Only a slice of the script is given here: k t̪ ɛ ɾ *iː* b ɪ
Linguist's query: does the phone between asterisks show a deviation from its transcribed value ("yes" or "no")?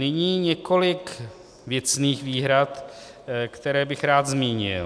yes